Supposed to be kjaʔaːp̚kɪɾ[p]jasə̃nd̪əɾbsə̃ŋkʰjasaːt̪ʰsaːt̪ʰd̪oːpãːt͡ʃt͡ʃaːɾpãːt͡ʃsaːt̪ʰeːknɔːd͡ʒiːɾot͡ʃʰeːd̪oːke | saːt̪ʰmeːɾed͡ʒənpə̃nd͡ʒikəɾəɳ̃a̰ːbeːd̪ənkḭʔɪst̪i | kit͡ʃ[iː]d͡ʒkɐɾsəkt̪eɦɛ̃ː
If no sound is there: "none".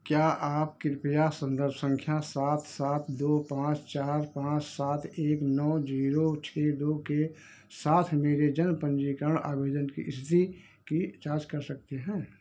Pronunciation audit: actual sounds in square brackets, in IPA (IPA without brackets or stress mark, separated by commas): p, aː